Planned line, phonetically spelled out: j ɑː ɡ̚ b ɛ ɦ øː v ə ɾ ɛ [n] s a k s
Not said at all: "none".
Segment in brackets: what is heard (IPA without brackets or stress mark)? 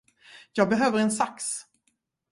n